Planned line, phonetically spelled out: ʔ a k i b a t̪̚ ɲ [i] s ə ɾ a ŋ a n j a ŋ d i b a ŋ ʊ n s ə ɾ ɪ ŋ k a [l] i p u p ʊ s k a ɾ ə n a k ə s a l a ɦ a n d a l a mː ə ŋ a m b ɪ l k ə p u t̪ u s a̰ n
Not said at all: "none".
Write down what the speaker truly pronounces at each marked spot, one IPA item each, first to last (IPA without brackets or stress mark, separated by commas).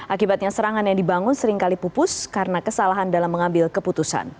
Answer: a, l